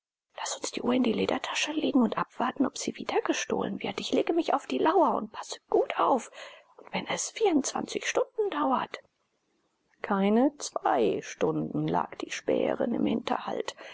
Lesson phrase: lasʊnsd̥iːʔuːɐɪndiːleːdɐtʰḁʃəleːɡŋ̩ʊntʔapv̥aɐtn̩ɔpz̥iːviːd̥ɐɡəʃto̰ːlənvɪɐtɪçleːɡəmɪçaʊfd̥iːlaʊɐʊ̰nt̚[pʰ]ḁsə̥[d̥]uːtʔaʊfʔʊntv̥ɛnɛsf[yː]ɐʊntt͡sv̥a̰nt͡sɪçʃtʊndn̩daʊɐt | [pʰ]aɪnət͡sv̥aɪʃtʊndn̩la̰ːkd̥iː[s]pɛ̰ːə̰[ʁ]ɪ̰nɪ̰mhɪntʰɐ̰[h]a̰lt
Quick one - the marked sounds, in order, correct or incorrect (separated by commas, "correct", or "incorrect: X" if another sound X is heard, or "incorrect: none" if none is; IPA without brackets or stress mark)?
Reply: correct, incorrect: ɡ̥, incorrect: iː, incorrect: kʰ, incorrect: ʃ, correct, correct